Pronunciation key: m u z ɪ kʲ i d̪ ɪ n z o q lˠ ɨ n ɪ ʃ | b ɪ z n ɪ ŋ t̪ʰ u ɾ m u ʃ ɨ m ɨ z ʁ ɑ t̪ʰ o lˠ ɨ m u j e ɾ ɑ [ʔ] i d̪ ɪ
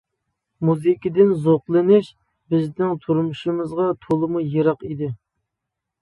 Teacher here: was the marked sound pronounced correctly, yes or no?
no